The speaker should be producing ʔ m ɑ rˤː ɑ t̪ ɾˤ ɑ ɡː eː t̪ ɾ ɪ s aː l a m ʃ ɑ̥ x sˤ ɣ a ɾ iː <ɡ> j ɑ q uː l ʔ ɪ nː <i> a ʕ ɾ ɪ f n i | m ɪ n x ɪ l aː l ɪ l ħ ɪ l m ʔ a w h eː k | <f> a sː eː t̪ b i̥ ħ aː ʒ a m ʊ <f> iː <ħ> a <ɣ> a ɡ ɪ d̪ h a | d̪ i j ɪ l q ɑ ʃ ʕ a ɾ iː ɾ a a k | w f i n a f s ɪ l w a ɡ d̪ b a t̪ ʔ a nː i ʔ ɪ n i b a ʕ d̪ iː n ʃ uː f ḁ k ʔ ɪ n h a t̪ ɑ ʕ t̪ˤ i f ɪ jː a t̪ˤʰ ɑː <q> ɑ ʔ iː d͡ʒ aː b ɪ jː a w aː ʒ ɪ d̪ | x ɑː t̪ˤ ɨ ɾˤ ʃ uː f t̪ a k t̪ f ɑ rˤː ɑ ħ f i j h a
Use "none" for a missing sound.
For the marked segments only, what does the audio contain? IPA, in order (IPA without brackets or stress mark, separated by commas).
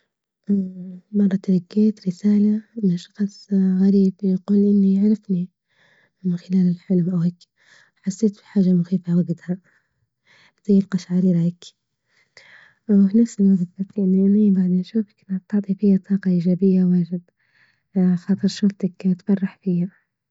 b, i, ħ, x, f, w, q